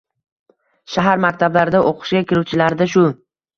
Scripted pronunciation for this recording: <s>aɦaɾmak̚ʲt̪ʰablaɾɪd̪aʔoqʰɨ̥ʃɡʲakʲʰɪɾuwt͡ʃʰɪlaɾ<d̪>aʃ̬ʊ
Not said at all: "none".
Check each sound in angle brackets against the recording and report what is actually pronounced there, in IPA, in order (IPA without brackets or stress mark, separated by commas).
ʃ, d̪